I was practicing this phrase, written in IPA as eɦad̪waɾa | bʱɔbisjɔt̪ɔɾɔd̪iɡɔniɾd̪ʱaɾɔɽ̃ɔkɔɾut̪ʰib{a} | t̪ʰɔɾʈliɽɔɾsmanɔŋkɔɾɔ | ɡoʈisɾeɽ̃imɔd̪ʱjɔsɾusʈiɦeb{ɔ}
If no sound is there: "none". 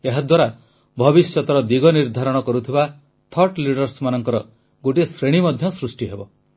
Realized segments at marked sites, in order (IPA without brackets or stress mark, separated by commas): a, ɔ